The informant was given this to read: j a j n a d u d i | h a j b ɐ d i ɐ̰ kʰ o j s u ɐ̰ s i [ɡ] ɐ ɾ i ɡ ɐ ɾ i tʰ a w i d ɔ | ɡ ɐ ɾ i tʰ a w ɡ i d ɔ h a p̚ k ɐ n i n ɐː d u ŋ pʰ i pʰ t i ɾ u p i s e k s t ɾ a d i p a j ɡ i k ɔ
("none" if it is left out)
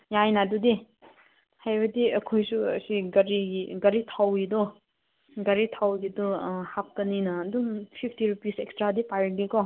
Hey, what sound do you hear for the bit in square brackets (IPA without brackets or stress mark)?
ɡ